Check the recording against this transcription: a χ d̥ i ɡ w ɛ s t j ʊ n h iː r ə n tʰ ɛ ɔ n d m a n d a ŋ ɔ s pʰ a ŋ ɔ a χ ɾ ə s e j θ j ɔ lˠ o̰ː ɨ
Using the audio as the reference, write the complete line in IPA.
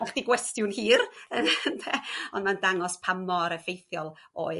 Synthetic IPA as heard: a χ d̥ i ɡ w ɛ s t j ʊ n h iː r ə n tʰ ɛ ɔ n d m a n d a ŋ ɔ s pʰ a m ɔ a ɾ ə f e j θ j ɔ lˠ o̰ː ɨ